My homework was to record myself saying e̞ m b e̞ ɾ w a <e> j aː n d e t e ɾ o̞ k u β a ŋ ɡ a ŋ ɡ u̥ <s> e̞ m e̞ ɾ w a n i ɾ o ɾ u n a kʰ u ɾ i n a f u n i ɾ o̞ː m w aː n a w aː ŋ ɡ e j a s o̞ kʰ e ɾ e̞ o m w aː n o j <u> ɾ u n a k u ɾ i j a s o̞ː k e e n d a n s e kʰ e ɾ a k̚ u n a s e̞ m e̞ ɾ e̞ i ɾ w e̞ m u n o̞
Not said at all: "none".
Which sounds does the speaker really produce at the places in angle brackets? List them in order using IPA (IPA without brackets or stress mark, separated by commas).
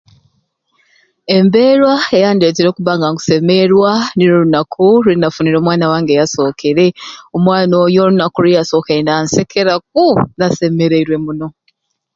e, s, o